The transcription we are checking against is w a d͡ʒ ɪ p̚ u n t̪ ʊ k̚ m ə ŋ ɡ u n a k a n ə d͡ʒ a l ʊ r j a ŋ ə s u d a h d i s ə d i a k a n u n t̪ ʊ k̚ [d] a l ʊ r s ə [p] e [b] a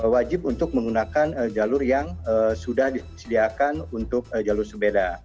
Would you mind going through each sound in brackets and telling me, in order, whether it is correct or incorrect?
incorrect: d͡ʒ, incorrect: b, incorrect: d

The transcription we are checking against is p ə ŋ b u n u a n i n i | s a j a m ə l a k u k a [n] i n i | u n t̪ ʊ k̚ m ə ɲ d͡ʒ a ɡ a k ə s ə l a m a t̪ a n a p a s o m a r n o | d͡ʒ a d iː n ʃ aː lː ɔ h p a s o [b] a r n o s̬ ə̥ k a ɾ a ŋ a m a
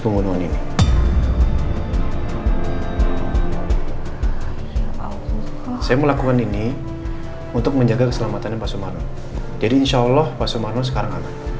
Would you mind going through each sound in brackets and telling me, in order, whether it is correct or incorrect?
correct, incorrect: m

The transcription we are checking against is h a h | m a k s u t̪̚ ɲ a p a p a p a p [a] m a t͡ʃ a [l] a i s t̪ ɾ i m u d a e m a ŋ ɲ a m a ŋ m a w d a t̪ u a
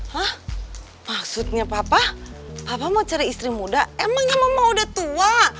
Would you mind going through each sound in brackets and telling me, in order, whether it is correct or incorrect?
correct, incorrect: ɾ

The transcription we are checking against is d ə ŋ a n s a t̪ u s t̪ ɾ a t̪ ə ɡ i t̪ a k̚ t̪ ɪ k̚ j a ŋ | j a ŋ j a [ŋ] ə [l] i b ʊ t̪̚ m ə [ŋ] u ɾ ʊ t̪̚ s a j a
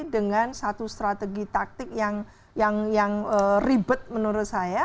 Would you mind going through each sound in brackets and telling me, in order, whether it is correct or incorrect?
correct, incorrect: r, incorrect: n

